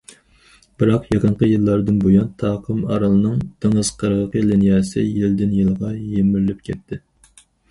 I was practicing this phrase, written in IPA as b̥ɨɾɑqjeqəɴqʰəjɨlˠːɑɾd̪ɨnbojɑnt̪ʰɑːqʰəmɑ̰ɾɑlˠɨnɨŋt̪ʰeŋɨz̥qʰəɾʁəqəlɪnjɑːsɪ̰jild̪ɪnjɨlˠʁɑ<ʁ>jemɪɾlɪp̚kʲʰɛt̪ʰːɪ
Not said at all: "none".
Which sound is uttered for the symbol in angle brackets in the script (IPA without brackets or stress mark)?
none